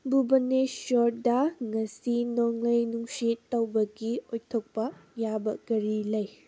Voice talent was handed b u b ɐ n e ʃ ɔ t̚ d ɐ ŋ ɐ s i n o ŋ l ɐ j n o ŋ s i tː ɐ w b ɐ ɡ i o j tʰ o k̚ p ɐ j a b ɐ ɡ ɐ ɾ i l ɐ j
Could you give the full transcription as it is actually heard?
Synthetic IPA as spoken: b u b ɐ n e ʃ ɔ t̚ d ɐ ŋ ɐ s i n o ŋ l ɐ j n u ŋ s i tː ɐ w b ɐ ɡ i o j tʰ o k̚ p ɐ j a b ɐ ɡ ɐ ɾ i l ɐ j